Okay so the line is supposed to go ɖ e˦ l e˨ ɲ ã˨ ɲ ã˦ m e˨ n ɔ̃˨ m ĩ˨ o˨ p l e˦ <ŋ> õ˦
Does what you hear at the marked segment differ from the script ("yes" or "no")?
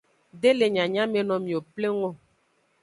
no